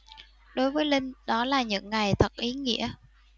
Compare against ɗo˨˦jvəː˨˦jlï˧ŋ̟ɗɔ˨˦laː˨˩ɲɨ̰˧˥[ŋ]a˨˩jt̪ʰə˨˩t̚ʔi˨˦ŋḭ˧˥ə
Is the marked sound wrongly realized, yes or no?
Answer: yes